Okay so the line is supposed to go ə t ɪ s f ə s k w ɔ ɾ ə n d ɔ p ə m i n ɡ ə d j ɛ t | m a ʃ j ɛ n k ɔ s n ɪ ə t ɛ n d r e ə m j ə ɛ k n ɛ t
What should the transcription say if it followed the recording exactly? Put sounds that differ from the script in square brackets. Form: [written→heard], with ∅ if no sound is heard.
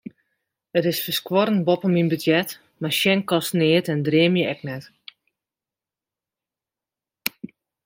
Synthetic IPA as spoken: ə t ɪ s f ə s k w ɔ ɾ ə n [d→b] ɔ p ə m i n [ɡ→b] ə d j ɛ t | m a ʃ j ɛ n k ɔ s n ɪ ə t ɛ n d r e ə m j ə ɛ k n ɛ t

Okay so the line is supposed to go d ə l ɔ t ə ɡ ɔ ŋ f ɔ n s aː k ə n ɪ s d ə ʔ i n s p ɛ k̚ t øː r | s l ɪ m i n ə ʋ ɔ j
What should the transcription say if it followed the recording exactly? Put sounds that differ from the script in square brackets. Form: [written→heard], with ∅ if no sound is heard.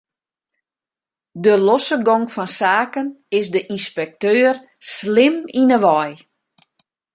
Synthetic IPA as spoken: d ə l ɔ [t→s] ə ɡ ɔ ŋ f ɔ n s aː k ə n ɪ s d ə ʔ i n s p ɛ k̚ t øː r | s l ɪ m i n ə ʋ ɔ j

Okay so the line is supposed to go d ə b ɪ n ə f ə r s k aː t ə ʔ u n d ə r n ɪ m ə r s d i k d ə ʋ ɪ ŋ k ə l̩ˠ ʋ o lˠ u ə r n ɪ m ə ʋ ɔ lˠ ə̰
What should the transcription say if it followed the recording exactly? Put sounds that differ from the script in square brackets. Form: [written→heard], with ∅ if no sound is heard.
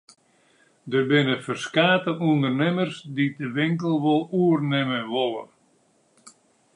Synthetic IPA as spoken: d ə b ɪ n ə f ə r s k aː t ə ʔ u n d ə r n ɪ m ə r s d i [k→∅] d ə ʋ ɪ ŋ k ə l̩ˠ ʋ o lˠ u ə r n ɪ m ə ʋ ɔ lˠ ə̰

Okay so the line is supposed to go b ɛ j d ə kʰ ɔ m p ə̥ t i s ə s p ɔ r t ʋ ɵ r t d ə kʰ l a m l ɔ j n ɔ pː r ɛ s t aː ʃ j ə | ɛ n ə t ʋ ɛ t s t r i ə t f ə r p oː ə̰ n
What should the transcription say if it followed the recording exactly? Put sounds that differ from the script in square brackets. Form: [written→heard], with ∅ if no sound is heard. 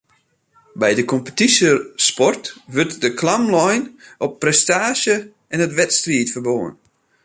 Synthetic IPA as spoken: b ɛ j d ə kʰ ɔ m p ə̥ t i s ə s p ɔ r t ʋ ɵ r t d ə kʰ l a m l ɔ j n ɔ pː r ɛ s t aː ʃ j ə | ɛ n ə t ʋ ɛ t s t r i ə t f ə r [p→b] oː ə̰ n

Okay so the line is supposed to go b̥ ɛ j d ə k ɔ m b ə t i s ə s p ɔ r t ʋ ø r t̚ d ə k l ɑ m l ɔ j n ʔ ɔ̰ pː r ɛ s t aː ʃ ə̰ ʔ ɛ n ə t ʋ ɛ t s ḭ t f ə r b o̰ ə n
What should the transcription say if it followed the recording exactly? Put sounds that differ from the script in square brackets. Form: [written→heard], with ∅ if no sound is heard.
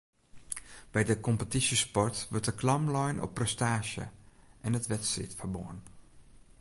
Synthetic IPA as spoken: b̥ ɛ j d ə k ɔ m [b→p] ə t i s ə s p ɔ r t ʋ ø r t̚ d ə k l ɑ m l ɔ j n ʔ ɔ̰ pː r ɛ s t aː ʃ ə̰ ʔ ɛ n ə t ʋ ɛ t s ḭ t f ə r b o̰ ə n

